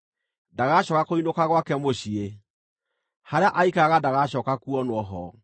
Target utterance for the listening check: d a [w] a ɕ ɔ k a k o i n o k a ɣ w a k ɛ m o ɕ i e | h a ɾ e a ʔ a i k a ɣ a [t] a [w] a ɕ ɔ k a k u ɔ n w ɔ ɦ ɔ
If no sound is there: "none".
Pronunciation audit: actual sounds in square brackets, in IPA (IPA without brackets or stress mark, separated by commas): ɣ, d, ɣ